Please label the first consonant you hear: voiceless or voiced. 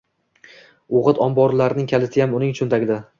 voiced